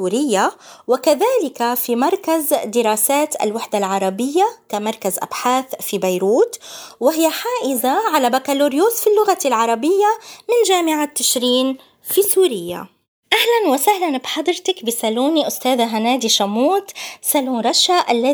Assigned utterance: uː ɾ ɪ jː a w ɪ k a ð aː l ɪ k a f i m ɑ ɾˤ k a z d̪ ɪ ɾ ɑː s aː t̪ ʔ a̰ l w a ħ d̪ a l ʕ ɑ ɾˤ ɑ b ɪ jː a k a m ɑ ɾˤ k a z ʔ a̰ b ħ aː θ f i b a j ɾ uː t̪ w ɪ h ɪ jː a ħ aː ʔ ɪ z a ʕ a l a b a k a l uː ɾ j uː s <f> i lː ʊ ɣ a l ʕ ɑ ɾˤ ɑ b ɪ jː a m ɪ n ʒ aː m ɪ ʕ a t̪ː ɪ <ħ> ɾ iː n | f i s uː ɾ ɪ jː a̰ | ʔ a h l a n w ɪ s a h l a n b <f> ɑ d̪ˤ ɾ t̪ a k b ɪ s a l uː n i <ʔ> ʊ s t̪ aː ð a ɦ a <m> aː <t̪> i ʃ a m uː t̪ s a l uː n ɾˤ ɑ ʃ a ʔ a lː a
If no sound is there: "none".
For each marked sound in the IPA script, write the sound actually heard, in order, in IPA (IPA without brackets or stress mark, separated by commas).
f, ʃ, ħ, ʔ, n, d̪